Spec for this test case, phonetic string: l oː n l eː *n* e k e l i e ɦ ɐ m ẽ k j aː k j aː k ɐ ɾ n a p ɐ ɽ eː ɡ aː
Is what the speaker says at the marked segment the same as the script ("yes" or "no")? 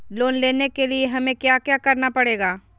yes